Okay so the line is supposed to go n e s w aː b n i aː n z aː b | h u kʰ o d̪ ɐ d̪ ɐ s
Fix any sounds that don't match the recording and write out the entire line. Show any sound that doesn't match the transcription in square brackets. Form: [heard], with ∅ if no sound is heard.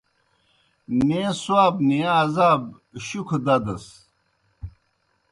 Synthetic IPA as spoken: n e s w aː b n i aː [∅] z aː b | [ɕ] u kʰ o d̪ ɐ d̪ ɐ s